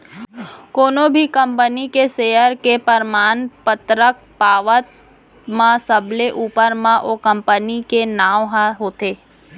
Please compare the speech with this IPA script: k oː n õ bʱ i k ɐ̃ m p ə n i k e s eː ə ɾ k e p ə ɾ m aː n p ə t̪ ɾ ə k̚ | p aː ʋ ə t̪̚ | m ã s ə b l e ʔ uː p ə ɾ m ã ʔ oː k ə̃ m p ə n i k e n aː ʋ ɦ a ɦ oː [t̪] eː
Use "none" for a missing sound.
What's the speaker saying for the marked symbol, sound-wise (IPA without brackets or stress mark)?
t̪